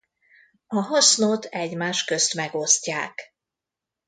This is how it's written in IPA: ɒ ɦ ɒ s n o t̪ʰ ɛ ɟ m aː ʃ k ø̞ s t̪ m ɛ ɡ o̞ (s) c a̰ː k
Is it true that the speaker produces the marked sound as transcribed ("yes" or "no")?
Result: yes